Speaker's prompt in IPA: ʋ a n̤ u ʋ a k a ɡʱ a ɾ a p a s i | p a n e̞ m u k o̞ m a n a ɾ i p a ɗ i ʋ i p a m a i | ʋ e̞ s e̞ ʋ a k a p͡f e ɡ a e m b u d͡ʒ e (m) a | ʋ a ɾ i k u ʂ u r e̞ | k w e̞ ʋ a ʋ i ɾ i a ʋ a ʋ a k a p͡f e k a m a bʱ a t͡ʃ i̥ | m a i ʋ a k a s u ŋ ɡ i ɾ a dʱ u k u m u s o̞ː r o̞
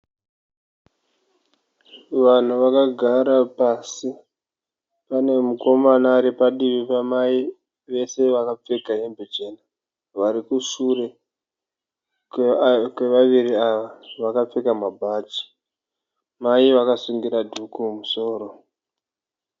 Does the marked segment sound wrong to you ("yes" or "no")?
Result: yes